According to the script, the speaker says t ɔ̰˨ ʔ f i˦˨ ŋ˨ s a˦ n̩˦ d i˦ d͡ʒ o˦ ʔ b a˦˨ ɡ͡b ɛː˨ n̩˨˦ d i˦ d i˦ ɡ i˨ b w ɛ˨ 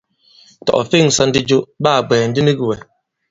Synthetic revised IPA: t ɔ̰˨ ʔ f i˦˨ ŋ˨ s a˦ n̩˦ d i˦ d͡ʒ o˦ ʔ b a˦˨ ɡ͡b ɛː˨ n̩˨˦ d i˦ n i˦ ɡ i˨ w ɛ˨